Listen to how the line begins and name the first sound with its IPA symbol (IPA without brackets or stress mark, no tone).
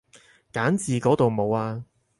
k